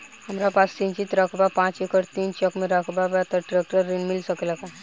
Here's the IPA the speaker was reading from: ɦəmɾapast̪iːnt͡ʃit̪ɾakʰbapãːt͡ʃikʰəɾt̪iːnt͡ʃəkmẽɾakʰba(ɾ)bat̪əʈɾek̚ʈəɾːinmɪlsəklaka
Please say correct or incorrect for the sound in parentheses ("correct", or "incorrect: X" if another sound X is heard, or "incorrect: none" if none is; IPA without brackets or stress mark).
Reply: incorrect: none